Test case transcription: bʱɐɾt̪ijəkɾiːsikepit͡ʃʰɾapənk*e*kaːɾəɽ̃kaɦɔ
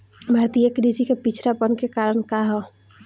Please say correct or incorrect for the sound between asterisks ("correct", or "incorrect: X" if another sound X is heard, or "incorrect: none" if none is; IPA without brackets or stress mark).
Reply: correct